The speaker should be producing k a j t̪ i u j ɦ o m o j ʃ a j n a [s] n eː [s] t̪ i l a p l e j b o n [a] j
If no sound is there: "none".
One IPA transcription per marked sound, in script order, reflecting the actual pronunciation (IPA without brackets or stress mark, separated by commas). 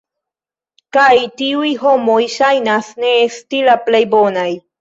s, s, a